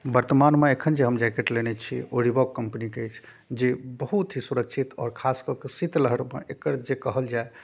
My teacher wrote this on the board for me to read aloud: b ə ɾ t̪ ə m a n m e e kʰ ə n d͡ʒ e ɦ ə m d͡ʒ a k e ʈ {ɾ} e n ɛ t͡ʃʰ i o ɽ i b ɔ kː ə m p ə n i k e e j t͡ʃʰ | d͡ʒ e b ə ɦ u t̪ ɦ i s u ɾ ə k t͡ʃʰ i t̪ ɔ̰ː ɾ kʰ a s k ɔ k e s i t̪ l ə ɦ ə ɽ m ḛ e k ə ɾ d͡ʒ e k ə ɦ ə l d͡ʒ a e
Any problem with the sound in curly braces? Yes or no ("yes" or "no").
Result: yes